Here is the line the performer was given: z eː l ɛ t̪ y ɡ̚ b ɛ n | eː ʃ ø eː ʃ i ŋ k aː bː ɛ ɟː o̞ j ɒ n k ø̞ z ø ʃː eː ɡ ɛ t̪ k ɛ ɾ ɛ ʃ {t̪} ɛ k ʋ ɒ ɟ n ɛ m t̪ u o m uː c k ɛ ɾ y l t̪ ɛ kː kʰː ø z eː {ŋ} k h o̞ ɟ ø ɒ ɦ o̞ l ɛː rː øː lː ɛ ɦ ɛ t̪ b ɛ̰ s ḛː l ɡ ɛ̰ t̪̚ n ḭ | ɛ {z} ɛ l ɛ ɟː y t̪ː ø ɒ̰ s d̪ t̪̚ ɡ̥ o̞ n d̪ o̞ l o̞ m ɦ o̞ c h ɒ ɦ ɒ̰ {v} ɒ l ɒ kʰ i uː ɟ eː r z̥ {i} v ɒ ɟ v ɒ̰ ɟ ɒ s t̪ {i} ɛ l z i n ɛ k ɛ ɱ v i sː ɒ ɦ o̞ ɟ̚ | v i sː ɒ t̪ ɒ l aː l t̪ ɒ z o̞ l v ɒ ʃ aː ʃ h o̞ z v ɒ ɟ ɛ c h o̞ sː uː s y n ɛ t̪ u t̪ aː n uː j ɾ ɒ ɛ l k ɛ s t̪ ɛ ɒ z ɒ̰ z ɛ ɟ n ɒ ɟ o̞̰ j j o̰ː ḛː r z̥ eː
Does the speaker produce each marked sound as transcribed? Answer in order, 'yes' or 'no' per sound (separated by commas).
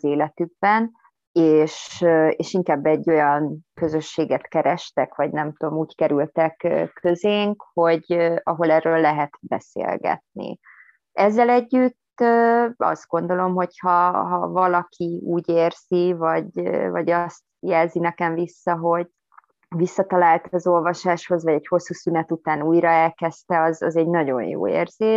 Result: yes, yes, no, yes, yes, no